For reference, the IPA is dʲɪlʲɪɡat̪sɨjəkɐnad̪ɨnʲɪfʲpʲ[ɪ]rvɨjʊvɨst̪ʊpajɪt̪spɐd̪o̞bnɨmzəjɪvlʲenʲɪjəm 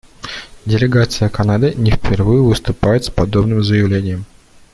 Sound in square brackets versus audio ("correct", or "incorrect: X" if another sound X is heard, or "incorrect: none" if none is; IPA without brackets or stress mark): correct